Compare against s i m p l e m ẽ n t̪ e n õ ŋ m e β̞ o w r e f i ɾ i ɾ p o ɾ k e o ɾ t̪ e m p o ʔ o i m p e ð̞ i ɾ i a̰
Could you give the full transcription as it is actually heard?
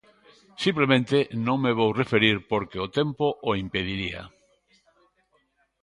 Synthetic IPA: s i m p l e m ẽ n t̪ e n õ ŋ m e β̞ o w r e f e ɾ i ɾ p o ɾ k e o t̪ e m p o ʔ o i m p e ð̞ i ɾ i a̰